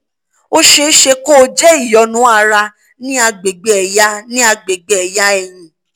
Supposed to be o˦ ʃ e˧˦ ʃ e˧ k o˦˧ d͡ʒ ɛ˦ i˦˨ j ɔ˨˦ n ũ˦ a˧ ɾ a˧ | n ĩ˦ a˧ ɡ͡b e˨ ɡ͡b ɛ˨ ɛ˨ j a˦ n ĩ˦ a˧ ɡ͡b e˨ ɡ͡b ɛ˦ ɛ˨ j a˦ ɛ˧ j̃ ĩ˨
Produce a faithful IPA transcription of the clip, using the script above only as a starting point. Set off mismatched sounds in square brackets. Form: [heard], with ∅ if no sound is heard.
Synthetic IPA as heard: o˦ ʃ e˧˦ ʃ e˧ k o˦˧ d͡ʒ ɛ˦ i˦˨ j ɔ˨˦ n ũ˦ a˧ ɾ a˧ | n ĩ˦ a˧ ɡ͡b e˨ ɡ͡b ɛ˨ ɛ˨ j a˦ n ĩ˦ a˧ ɡ͡b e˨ ɡ͡b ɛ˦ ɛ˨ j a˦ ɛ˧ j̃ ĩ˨